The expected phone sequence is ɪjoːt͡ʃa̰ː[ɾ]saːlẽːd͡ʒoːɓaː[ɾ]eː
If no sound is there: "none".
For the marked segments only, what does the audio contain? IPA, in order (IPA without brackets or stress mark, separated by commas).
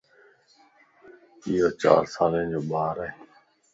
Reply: ɾ, ɾ